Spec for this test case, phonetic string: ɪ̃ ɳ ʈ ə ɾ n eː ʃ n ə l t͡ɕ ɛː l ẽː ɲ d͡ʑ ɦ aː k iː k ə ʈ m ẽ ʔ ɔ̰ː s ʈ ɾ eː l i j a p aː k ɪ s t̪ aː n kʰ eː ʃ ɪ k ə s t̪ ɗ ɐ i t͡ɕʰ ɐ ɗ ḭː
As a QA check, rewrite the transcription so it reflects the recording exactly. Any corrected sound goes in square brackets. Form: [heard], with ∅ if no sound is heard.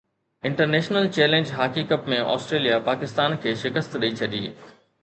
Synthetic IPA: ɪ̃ ɳ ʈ ə ɾ n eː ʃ n ə l t͡ɕ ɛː l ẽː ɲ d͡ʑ ɦ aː k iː k ə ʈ m ẽ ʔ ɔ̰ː s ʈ ɾ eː l i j a p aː k ɪ s t̪ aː n kʰ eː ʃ ɪ k ə s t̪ ɗ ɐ i t͡ɕʰ ɐ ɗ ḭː